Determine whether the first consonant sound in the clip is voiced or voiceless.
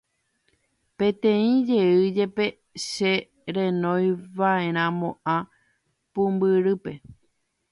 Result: voiceless